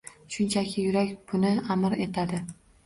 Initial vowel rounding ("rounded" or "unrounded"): rounded